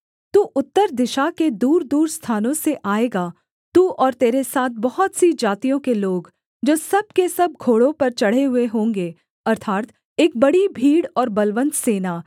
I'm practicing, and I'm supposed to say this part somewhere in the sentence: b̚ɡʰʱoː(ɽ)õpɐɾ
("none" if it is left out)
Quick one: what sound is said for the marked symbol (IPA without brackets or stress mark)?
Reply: ɽ